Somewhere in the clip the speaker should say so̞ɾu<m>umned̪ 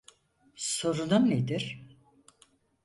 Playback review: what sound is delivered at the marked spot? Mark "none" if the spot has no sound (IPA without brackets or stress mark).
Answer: n